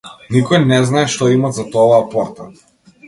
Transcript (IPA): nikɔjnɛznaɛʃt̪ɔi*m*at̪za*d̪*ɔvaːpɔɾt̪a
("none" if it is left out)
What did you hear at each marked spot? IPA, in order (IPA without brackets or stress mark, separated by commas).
m, t̪